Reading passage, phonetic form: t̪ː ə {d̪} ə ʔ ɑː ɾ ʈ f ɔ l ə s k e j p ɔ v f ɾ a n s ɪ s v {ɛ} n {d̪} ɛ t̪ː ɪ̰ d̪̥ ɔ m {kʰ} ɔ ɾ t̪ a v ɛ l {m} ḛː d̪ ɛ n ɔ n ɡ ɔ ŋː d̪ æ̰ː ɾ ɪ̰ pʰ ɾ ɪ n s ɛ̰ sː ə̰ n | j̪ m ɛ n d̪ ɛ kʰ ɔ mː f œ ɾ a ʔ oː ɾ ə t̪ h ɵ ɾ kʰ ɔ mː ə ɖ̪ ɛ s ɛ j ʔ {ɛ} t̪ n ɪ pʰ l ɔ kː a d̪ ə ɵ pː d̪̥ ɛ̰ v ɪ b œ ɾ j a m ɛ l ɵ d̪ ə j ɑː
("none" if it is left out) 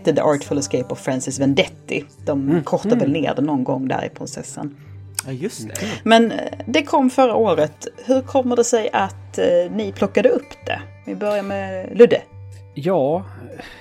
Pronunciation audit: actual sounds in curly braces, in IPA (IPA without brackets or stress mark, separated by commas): d̪, ɛ, d̪, kʰ, n, a